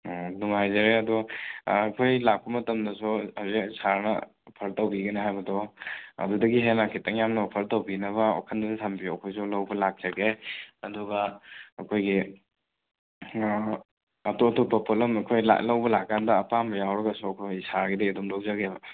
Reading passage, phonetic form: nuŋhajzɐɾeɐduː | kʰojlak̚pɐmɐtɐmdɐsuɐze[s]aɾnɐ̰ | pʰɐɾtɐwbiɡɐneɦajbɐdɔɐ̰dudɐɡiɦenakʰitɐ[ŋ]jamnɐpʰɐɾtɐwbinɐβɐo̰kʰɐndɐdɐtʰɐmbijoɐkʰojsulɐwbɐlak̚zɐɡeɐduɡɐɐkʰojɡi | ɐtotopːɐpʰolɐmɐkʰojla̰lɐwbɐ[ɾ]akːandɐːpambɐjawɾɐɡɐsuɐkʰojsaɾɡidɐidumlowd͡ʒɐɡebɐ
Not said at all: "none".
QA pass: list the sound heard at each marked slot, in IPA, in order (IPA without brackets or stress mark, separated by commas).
s, ŋ, l